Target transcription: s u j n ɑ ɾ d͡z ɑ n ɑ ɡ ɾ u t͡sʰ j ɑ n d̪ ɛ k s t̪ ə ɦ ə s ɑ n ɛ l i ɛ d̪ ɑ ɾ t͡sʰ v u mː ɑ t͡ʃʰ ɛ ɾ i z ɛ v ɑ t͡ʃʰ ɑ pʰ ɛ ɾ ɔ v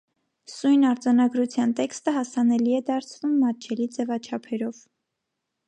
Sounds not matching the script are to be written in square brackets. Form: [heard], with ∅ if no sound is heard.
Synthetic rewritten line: s u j n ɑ ɾ d͡z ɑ n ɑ ɡ ɾ u t͡sʰ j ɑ n [t̪] ɛ k s t̪ ə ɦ [ɑ] s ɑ n ɛ l i ɛ d̪ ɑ ɾ t͡sʰ v u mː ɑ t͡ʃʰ ɛ [l] i [d͡z] ɛ v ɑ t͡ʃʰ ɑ pʰ ɛ ɾ ɔ v